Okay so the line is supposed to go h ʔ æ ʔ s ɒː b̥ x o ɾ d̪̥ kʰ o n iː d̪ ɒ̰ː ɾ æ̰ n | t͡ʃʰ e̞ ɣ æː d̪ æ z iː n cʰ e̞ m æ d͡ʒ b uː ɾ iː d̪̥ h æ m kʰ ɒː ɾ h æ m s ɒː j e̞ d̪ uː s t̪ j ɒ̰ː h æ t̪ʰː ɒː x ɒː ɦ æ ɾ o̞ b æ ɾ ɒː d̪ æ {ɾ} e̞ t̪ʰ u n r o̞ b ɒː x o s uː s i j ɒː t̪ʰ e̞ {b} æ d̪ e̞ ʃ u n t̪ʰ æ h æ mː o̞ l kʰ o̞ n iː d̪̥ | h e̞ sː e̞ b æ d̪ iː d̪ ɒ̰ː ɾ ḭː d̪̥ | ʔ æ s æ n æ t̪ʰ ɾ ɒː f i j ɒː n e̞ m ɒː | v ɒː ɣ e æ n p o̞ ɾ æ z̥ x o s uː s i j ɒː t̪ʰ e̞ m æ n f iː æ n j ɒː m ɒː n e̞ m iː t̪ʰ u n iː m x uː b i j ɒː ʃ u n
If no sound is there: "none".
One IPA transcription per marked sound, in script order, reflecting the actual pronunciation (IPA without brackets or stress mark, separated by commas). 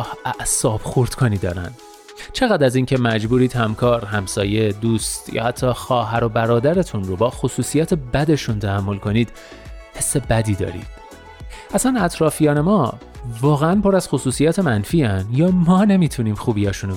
ɾ, b